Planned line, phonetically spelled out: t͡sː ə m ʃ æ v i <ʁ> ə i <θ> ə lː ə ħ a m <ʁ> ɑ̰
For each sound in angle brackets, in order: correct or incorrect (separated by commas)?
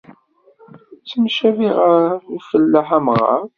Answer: correct, incorrect, correct